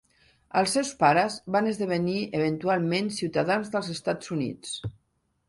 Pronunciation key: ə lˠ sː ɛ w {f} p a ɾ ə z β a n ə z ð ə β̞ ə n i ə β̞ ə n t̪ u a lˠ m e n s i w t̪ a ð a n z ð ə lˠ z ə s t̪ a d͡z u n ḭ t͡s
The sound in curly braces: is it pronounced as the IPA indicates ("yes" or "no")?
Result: no